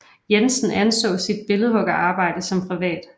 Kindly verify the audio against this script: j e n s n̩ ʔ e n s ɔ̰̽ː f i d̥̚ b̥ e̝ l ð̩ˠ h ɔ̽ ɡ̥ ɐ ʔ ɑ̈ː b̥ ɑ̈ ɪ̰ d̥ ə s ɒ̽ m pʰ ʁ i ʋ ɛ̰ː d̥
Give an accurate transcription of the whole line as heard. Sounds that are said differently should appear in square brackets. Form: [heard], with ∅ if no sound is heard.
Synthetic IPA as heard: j e n s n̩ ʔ [æ] n s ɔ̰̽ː [s] i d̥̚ b̥ e̝ l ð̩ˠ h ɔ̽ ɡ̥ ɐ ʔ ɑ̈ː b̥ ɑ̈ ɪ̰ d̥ ə s ɒ̽ m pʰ ʁ i ʋ ɛ̰ː d̥

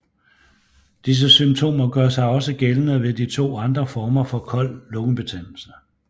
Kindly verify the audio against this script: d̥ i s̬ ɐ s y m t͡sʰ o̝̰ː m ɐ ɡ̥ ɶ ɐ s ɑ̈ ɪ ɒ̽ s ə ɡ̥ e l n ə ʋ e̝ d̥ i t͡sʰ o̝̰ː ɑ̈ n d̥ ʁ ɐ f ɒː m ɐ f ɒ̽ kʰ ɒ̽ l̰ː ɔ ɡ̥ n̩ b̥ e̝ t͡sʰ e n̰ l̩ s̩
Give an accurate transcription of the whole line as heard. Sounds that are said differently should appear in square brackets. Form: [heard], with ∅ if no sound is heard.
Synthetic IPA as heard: d̥ i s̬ [ə] s y m t͡sʰ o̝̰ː m ɐ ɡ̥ ɶ ɐ s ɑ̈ ɪ ɒ̽ s ə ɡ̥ e l n ə ʋ e̝ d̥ i t͡sʰ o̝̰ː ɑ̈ n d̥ ʁ ɐ f ɒː m ɐ f ɒ̽ kʰ ɒ̽ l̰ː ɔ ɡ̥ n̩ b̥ e̝ t͡sʰ e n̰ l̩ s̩

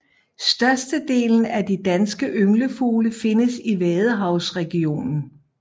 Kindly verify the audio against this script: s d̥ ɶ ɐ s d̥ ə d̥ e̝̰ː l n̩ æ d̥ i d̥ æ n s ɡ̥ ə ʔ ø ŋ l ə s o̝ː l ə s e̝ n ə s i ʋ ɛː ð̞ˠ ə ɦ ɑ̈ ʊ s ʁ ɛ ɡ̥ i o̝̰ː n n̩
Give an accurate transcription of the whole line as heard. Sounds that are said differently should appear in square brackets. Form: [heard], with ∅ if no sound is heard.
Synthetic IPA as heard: s d̥ ɶ ɐ s d̥ ə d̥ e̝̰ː l n̩ æ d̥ i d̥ æ n s ɡ̥ ə ʔ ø ŋ l ə [f] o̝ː l ə [f] e̝ n ə s i ʋ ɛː ð̞ˠ ə ɦ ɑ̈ ʊ s ʁ ɛ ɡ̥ i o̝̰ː n n̩

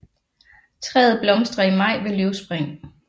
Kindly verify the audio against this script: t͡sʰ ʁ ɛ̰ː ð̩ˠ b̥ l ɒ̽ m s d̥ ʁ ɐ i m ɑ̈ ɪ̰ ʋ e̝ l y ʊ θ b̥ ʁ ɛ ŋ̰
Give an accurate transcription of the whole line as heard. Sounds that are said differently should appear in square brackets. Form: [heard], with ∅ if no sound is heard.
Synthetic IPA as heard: t͡sʰ ʁ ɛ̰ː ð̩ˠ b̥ l ɒ̽ m s d̥ ʁ ɐ i m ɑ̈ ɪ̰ ʋ e̝ l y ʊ [s] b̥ ʁ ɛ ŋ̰

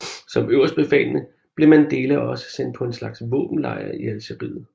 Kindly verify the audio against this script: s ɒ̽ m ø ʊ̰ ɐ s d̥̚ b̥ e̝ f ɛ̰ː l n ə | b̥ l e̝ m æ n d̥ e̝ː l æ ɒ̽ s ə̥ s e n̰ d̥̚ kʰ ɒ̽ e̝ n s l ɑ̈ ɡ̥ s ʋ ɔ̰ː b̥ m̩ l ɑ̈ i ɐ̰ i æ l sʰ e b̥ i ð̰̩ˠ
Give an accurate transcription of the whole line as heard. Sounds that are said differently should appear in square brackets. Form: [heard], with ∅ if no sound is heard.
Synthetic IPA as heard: s ɒ̽ m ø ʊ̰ ɐ s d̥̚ b̥ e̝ f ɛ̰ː l n ə | b̥ l e̝ m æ n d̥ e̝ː l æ ɒ̽ s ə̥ s e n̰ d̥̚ [pʰ] ɒ̽ e̝ n s l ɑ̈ ɡ̥ s ʋ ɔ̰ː b̥ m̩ l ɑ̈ [ɪ] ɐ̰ i æ l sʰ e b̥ i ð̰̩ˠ

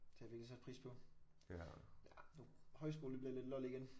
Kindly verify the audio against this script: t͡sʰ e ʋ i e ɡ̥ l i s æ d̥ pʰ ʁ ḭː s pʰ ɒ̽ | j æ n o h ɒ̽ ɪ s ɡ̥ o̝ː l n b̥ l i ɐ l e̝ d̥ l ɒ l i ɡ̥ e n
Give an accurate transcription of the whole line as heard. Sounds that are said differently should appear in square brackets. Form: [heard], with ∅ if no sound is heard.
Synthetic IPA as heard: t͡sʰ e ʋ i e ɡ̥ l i s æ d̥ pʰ ʁ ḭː s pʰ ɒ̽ | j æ n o h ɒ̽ ɪ s ɡ̥ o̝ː l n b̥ l i ɐ l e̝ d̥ l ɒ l i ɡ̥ e n

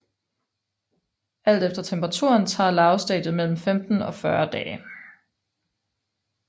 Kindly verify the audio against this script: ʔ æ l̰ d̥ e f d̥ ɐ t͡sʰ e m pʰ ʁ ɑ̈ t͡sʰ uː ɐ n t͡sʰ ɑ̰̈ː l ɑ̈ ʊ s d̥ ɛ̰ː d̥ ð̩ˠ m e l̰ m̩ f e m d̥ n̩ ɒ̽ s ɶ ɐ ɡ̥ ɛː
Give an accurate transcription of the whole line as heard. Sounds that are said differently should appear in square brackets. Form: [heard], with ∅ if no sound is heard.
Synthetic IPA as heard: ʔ æ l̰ d̥ e f d̥ ɐ t͡sʰ e m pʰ ʁ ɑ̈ t͡sʰ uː ɐ n t͡sʰ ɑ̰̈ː l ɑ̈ ʊ s d̥ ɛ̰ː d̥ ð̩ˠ m e l̰ m̩ f e m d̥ n̩ ɒ̽ [f] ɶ ɐ [d̥] ɛː

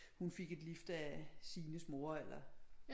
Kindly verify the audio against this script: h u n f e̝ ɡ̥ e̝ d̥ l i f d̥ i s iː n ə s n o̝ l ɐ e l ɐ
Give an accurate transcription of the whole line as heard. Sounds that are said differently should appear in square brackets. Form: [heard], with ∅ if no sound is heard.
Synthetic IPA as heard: h u n f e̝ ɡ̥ e̝ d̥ l i f d̥ [æ] s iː n ə s [m] o̝ [∅] ɐ e l ɐ

